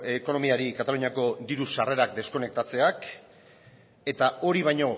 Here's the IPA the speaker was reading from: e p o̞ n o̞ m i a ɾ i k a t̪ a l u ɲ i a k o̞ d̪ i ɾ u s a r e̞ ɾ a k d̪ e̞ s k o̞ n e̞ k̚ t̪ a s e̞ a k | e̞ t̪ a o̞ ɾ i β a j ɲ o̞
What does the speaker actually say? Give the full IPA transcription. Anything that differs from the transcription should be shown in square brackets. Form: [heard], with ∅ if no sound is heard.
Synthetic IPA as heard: e [k] o̞ n o̞ m i a ɾ i k a t̪ a l u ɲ i a k o̞ d̪ i ɾ u s a r e̞ ɾ a k d̪ e̞ s k o̞ n e̞ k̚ t̪ a [t͡s] e̞ a k | e̞ t̪ a o̞ ɾ i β a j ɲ o̞